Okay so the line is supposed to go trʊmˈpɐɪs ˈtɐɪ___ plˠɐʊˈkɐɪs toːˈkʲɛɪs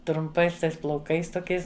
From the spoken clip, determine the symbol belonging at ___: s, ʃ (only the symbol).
s